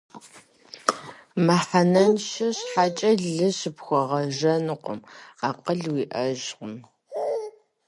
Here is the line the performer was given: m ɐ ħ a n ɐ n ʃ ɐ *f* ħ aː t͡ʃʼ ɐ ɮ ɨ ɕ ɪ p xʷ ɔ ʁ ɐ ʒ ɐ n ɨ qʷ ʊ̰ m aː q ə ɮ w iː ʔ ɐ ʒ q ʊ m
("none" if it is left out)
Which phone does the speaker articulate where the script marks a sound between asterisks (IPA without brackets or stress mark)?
ɕ